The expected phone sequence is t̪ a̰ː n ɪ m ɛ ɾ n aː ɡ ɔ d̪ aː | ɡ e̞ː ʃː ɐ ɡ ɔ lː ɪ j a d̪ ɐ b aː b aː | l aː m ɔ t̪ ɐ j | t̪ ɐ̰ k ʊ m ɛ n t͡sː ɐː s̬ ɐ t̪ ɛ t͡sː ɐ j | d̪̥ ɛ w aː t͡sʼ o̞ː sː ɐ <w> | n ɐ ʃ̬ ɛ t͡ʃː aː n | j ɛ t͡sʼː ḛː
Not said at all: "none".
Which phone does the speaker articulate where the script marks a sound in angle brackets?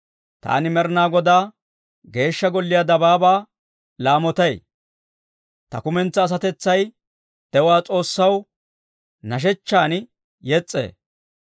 w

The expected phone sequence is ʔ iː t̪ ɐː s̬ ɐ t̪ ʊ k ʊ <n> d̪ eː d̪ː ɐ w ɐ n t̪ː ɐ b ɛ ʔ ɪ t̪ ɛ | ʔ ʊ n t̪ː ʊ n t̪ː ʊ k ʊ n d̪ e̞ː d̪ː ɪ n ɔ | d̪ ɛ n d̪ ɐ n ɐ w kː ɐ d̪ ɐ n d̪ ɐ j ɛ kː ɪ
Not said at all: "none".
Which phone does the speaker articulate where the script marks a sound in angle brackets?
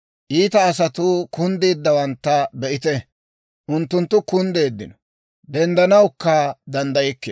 n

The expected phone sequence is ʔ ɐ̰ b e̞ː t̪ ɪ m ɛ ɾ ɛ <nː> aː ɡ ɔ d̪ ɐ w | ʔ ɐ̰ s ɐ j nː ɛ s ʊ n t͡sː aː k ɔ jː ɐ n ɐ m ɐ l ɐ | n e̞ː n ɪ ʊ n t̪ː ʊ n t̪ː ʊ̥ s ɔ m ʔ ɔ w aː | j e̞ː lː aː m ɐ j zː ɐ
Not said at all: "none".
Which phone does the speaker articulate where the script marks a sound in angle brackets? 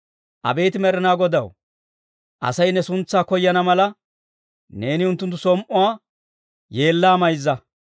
n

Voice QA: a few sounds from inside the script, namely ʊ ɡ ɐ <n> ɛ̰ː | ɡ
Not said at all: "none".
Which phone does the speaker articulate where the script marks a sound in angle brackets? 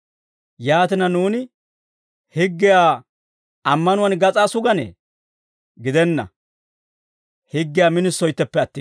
n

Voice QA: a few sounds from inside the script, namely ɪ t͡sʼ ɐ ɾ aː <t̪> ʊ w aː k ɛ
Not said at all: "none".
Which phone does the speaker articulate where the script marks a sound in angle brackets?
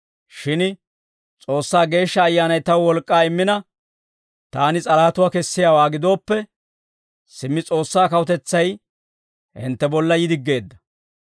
t̪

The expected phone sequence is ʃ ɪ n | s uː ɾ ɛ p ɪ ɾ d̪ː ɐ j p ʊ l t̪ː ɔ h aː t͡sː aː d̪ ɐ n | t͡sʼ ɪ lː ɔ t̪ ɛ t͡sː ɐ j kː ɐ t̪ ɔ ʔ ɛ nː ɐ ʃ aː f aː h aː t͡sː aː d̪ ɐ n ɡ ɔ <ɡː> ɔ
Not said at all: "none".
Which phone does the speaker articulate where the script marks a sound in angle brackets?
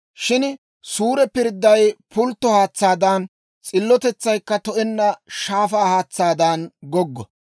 ɡː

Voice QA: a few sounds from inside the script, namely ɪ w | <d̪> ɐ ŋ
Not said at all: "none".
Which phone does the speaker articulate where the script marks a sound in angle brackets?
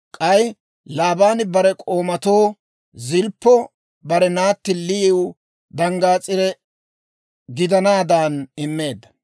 d̪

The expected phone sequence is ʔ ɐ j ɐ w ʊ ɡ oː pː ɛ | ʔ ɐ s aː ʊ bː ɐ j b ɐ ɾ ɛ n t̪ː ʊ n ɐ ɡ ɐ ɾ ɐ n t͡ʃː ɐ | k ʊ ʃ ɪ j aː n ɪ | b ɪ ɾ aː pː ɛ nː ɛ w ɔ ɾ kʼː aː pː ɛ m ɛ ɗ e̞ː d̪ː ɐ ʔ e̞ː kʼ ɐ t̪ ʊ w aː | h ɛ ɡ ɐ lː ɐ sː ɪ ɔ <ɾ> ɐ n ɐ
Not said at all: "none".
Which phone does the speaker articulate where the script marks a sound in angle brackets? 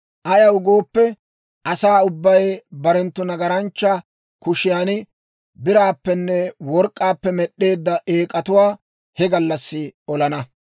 l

